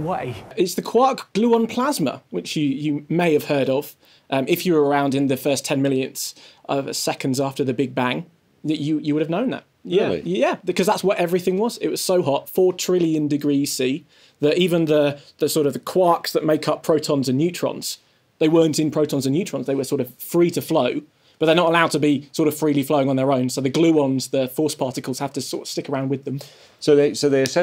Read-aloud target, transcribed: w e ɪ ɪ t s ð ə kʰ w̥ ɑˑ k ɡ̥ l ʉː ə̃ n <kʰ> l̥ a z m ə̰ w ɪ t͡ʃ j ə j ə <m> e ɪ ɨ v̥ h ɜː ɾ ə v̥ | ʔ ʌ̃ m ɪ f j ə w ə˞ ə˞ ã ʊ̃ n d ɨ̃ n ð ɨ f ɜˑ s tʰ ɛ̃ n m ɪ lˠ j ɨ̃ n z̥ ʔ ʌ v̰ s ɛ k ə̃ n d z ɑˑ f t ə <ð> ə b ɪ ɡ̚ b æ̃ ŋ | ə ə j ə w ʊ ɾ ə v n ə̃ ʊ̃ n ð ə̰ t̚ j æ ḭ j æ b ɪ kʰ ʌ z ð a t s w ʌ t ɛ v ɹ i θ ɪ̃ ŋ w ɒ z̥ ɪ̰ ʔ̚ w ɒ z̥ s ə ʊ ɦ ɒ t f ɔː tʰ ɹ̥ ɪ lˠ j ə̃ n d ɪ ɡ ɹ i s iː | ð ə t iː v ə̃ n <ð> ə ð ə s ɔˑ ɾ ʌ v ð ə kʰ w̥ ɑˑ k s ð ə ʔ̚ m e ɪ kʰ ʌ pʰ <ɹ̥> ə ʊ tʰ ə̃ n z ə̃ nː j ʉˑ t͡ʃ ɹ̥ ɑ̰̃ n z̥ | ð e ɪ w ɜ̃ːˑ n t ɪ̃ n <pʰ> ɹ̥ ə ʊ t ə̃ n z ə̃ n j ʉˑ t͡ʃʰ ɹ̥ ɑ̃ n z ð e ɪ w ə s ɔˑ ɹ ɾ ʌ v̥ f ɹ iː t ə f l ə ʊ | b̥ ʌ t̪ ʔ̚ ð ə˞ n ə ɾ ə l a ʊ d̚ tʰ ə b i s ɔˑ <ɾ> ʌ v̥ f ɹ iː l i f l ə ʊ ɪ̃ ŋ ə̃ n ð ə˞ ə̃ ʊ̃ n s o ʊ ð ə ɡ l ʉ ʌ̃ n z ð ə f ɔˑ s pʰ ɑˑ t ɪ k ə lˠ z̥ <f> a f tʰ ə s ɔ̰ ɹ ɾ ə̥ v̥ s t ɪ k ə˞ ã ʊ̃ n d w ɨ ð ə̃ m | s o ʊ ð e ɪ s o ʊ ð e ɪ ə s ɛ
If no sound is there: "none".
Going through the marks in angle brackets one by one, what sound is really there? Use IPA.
pʰ, m, ð, ð, ɹ̥, pʰ, ɾ, h

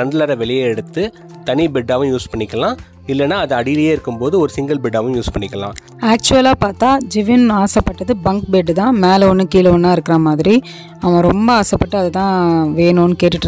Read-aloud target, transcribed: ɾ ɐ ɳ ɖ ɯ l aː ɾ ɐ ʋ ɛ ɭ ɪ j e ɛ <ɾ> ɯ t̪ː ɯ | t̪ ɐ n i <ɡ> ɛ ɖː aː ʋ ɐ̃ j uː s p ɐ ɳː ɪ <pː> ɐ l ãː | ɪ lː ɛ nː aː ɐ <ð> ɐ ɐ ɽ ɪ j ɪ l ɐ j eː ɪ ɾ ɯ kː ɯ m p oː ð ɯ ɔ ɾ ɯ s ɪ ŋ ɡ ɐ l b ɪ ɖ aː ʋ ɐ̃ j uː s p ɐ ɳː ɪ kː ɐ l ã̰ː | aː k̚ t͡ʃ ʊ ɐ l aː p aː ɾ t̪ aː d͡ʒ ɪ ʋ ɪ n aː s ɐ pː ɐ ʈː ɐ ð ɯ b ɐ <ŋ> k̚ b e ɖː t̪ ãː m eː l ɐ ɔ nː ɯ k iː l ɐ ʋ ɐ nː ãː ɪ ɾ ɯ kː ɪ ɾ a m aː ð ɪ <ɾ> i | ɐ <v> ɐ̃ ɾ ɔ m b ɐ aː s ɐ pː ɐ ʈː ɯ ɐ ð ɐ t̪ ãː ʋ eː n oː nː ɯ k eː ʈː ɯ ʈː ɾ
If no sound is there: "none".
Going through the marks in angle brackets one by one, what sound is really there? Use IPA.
ɽ, b, kː, ð, ŋ, ɾ, ʋ

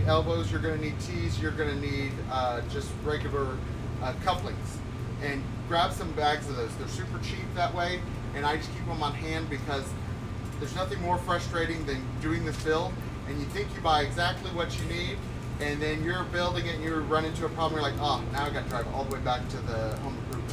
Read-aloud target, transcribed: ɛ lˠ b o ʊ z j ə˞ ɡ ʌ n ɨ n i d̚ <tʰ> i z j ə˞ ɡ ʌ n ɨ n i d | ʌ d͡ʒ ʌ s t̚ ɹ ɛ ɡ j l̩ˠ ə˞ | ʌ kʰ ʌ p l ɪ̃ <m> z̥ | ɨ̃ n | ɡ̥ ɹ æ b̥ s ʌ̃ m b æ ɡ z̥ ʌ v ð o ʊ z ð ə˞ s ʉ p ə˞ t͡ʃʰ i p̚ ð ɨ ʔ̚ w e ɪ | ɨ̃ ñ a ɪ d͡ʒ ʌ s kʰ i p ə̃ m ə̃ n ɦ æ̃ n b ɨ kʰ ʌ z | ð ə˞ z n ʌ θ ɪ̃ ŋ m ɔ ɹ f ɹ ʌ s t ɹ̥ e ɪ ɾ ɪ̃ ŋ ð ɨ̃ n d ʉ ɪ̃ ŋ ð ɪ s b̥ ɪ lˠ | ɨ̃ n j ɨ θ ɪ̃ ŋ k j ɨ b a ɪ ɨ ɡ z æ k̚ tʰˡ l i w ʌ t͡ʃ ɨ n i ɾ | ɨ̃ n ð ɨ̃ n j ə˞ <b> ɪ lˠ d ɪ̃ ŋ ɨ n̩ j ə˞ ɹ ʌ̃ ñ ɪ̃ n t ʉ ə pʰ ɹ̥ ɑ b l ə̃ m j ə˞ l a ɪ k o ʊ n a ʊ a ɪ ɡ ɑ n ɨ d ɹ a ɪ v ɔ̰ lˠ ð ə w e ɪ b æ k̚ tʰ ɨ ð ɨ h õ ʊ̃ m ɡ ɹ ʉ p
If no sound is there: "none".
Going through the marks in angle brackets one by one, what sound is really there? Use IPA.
tʰ, ŋ, b

